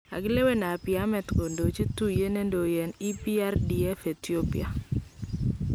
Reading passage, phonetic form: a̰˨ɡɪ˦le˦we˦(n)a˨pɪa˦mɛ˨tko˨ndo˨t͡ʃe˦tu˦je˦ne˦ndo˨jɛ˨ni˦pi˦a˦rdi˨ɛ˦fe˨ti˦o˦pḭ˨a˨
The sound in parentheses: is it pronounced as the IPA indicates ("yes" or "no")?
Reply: yes